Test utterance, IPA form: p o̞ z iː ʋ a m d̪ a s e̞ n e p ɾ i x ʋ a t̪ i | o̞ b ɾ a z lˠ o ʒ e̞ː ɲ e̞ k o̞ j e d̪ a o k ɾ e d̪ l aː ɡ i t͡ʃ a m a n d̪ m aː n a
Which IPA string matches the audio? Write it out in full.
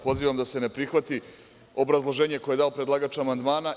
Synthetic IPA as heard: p o̞ z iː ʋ a m d̪ a s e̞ n e p ɾ i x ʋ a t̪ i | o̞ b ɾ a z lˠ o ʒ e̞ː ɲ e̞ k o̞ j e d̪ a o p ɾ e d̪ l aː ɡ a t͡ʃ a m a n d̪ m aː n a